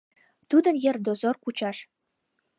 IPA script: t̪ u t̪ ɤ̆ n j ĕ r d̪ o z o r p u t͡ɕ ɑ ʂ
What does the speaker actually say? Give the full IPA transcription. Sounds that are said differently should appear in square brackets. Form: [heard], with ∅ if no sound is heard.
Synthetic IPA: t̪ u [d̪] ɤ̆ n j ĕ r d̪ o z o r [k] u t͡ɕ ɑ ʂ